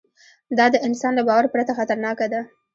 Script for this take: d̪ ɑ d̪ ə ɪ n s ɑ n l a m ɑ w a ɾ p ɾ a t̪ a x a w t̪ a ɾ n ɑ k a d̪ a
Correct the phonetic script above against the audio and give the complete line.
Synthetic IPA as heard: d̪ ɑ d̪ ə ɪ n s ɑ n l a b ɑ w a ɾ p ɾ a t̪ a x a t̪ a ɾ n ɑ k a d̪ a